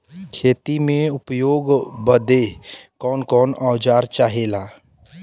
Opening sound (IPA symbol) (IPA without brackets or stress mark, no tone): kʰ